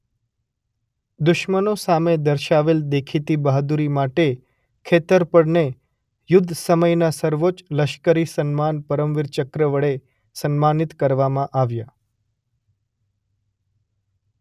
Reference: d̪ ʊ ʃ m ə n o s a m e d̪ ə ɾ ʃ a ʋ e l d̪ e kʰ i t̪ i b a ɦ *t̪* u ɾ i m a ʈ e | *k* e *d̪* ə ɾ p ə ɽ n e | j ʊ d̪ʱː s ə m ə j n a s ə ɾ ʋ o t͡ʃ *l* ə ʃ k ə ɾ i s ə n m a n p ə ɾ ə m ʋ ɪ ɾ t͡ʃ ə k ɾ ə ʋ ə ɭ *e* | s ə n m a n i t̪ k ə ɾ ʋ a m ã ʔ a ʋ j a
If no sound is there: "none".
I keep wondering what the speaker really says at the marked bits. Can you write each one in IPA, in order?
d̪, kʰ, t̪, l, e

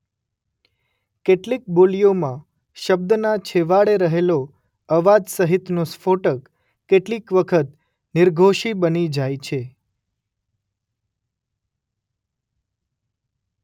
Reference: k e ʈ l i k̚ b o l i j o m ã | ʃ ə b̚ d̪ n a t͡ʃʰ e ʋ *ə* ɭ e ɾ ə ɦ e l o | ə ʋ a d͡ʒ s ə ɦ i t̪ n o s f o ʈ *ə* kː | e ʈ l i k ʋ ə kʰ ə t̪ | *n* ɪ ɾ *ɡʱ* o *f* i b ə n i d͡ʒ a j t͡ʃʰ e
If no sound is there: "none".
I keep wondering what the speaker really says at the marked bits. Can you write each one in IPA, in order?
a, ə, n, ɡʱ, ʃ

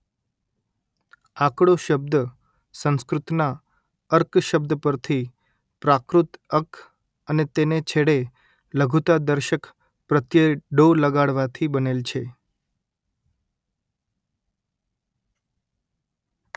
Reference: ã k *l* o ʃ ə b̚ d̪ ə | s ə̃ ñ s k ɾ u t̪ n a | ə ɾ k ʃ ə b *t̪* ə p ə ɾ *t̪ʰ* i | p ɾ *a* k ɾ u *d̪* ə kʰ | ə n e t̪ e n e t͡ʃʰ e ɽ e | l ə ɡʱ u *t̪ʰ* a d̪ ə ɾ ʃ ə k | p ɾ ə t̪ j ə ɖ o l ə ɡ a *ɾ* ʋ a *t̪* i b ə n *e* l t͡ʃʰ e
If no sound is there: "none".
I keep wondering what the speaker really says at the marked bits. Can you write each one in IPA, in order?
ɽ, d̪, t̪ʰ, a, t̪, t̪, ɽ, t̪ʰ, e

